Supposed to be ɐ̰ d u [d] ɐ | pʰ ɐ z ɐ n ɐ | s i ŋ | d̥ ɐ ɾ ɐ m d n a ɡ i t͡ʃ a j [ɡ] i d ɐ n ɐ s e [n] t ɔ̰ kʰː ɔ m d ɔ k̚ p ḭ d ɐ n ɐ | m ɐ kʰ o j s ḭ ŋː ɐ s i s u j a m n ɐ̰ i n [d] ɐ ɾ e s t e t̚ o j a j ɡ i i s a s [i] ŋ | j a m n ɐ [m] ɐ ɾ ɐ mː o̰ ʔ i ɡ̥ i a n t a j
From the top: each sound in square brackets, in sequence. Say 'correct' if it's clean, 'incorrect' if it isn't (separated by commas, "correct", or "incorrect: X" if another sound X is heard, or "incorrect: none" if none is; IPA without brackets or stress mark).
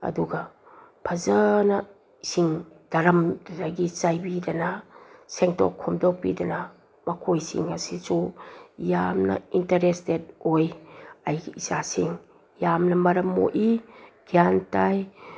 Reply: incorrect: ɡ, incorrect: b, incorrect: ŋ, incorrect: t, correct, correct